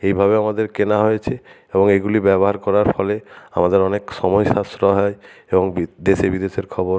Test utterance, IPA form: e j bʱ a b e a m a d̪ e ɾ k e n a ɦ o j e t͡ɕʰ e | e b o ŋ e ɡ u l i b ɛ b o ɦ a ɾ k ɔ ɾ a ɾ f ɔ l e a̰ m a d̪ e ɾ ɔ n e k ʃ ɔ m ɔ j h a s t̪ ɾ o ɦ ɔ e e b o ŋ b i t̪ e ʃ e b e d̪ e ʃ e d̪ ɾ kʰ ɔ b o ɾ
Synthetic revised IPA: e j bʱ a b e a m a d̪ e ɾ k e n a ɦ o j e t͡ɕʰ e | e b o ŋ e ɡ u l i b ɛ b o ɦ a ɾ k ɔ ɾ a ɾ f ɔ l e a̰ m a d̪ e ɾ ɔ n e k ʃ ɔ m ɔ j ʃ a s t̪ ɾ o ɦ ɔ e e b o ŋ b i d̪ e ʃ e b i d̪ e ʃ e ɾ kʰ ɔ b o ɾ